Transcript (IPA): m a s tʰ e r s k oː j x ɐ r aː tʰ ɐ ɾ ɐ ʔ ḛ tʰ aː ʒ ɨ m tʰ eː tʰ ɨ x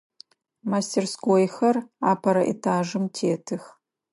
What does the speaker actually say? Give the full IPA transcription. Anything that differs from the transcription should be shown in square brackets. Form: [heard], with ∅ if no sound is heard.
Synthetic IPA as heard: m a s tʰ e r s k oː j x ɐ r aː [pʰ] ɐ ɾ ɐ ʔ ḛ tʰ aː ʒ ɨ m tʰ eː tʰ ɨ x